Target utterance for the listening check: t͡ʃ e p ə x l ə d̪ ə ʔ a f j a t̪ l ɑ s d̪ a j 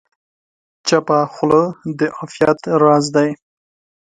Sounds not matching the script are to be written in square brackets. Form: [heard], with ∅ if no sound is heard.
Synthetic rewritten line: t͡ʃ [a] p [a] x l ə d̪ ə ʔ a f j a t̪ [ɾ] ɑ [z] d̪ a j